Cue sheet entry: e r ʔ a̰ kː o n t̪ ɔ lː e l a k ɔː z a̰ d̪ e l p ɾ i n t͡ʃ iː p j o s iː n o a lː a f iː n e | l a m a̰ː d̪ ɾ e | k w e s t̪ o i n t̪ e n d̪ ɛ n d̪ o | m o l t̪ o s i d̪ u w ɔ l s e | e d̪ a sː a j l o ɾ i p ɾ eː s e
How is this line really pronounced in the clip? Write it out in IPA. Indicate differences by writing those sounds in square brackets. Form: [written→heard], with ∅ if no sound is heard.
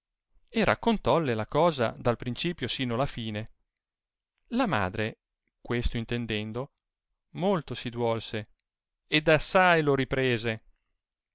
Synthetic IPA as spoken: e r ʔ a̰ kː o n t̪ ɔ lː e l a k ɔː z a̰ d̪ [e→a] l p ɾ i n t͡ʃ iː p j o s iː n o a [lː→l] a f iː n e | l a m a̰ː d̪ ɾ e | k w e s t̪ o i n t̪ e n d̪ ɛ n d̪ o | m o l t̪ o s i d̪ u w ɔ l s e | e d̪ a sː a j l o ɾ i p ɾ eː [s→z] e

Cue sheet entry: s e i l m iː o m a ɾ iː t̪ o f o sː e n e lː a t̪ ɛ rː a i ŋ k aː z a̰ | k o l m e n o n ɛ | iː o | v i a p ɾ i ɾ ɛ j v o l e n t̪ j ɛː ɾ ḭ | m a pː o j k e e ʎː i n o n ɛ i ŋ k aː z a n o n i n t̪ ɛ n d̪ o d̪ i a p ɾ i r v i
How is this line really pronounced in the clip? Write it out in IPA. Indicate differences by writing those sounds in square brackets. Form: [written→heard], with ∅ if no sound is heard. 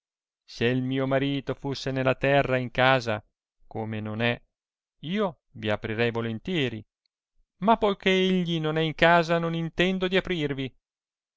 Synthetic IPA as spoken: s e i l m iː o m a ɾ iː t̪ o f [o→u] sː e n e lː a t̪ ɛ rː a i ŋ k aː z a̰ | k o [l→∅] m e n o n ɛ | iː o | v i a p ɾ i ɾ ɛ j v o l e n t̪ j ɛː ɾ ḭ | m a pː o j k e e ʎː i n o n ɛ i ŋ k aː z a n o n i n t̪ ɛ n d̪ o d̪ i a p ɾ i r v i

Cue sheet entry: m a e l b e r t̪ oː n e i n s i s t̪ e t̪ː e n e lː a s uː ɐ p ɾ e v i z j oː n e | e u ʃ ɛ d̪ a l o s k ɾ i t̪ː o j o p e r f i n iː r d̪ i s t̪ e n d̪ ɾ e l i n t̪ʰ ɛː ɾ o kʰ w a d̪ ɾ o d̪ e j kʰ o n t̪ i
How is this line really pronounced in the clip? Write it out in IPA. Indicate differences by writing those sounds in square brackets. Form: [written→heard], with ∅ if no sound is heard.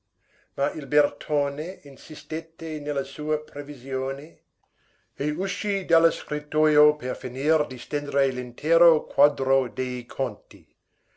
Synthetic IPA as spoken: m a [e→i] l b e r [t̪→t̪ʰ] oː n e i n s i s t̪ e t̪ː e n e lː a s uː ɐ p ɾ e v i z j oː n e | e u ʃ [ɛ→i] d̪ a l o s k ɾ i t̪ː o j o p e r f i n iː r d̪ i s t̪ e n d̪ ɾ e l i n t̪ʰ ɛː ɾ o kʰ w a d̪ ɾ o d̪ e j kʰ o n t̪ i

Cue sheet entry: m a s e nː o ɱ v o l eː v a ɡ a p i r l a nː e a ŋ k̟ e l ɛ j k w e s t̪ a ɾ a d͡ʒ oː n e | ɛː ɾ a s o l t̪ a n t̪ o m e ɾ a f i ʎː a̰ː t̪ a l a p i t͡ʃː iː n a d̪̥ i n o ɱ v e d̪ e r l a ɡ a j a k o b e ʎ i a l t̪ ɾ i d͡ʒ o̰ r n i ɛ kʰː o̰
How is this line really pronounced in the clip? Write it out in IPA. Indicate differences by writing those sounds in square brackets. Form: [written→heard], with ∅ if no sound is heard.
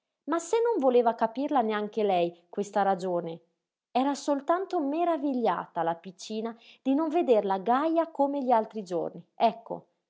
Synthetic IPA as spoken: m a s e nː o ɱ v o l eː v a [ɡ→k] a p i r l a [nː→n] e a ŋ k̟ e l ɛ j k w e s t̪ a ɾ a d͡ʒ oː n e | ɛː ɾ a s o l t̪ a n t̪ o m e ɾ a [f→v] i ʎː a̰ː t̪ a l a p i t͡ʃː iː n a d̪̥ i n o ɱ v e d̪ e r l a ɡ a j a k o [b→m] e ʎ i a l t̪ ɾ i d͡ʒ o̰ r n i ɛ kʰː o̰

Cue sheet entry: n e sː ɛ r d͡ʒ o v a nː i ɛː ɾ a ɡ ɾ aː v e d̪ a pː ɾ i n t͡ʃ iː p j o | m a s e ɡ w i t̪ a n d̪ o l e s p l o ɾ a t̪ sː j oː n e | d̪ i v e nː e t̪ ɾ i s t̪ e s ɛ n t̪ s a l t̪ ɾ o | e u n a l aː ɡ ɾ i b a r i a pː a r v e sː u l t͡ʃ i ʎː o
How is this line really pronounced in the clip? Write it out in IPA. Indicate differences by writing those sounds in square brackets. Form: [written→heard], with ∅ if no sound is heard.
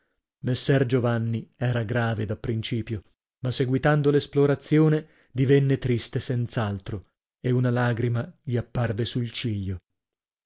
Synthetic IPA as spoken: [n→m] e sː ɛ r d͡ʒ o v a nː i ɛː ɾ a ɡ ɾ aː v e d̪ a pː ɾ i n t͡ʃ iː p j o | m a s e ɡ w i t̪ a n d̪ o l e s p l o ɾ a t̪ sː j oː n e | d̪ i v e nː e t̪ ɾ i s t̪ e s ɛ n t̪ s a l t̪ ɾ o | e u n a l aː ɡ ɾ i [b→m] a [r→ʎ] i a pː a r v e [sː→s] u l t͡ʃ i ʎː o

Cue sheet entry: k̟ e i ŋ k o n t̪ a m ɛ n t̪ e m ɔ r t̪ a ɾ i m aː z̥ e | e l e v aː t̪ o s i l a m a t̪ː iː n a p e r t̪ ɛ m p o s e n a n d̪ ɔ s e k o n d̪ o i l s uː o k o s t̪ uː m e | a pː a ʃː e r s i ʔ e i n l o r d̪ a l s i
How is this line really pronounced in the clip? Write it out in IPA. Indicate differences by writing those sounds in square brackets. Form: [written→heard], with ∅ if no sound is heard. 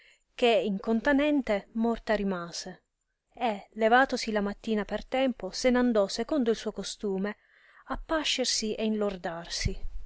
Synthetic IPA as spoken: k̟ e i ŋ k o n t̪ a [m→n] ɛ n t̪ e m ɔ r t̪ a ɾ i m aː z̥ e | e l e v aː t̪ o s i l a m a t̪ː iː n a p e r t̪ ɛ m p o s e n a n d̪ ɔ s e k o n d̪ o i l s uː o k o s t̪ uː m e | a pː a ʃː e r s i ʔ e i n l o r d̪ a [l→r] s i

